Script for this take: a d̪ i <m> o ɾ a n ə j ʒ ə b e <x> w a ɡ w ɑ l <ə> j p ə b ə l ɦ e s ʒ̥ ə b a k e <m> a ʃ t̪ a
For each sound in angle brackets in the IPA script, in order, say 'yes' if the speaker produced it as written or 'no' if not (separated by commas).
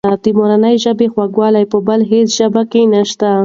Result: yes, yes, no, no